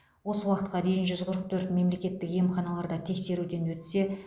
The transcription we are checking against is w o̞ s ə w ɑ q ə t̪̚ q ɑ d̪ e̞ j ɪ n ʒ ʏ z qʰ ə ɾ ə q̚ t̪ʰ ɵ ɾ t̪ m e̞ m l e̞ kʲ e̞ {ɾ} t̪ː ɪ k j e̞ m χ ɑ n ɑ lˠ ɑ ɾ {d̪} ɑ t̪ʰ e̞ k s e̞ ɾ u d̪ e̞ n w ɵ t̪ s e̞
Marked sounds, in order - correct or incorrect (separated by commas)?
incorrect, correct